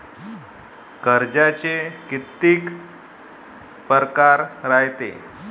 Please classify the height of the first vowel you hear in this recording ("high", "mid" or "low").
mid